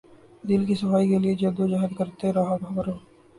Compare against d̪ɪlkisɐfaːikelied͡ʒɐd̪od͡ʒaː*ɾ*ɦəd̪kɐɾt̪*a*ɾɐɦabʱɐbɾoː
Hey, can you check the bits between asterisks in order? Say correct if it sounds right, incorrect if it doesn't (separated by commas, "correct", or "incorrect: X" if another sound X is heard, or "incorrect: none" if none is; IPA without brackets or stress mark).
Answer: incorrect: none, incorrect: e